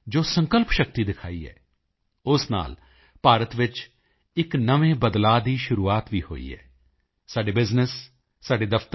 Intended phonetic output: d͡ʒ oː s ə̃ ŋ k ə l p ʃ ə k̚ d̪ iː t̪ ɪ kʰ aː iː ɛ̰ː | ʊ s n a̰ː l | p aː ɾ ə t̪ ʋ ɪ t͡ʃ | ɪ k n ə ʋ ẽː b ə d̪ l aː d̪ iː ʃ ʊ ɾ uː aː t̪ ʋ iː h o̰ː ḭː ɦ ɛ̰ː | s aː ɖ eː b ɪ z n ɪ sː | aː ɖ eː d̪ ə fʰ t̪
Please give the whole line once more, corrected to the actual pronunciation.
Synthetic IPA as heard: d͡ʒ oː s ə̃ ŋ k ə l p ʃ ə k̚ t̪ iː d̪ ɪ kʰ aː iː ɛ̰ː | ʊ s n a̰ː l | p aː ɾ ə t̪ ʋ ɪ t͡ʃ | ɪ k n ə ʋ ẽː b ə d̪ l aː d̪ iː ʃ ʊ ɾ uː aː t̪ ʋ iː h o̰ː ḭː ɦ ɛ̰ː | s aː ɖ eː b ɪ z n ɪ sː | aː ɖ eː d̪ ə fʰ t̪